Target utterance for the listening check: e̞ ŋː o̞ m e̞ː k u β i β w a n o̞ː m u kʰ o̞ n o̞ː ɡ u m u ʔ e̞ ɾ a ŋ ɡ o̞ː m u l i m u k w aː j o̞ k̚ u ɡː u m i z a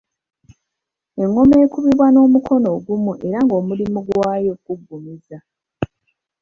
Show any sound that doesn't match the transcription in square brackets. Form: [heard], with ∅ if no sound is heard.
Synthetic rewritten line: e̞ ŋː o̞ m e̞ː k u β i β w a n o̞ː m u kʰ o̞ n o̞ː ɡ u m u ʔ e̞ ɾ a ŋ ɡ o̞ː m u l i m u [ɡ] w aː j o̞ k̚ u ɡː u m i z a